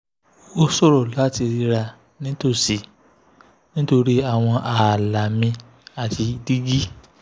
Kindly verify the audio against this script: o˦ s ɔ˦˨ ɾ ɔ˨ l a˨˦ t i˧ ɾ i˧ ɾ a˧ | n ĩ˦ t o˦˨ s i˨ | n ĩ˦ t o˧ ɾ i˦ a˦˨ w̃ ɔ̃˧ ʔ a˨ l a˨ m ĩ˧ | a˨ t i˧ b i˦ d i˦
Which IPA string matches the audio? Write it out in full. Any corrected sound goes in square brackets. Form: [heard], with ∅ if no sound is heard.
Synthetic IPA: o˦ s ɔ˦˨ ɾ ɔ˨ l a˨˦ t i˧ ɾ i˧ ɾ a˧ | n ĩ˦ t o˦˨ s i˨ | n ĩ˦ t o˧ ɾ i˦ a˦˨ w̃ ɔ̃˧ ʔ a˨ l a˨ m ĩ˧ | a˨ t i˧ [d] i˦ [ɡ] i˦